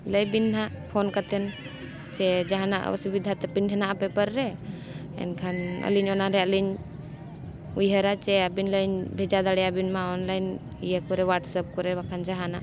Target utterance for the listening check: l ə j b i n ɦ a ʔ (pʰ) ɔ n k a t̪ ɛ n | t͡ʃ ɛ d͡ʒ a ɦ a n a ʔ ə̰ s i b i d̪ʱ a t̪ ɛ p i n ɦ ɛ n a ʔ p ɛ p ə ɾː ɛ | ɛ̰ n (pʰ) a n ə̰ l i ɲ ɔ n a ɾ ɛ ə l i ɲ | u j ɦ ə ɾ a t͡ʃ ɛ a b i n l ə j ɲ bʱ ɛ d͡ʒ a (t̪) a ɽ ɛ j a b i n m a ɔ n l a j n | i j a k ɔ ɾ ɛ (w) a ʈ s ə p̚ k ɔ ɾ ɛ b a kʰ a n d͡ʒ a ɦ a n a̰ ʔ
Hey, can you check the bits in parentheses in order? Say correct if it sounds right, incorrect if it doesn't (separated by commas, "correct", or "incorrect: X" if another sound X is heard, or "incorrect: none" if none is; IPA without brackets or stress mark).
correct, incorrect: kʰ, incorrect: d̪, correct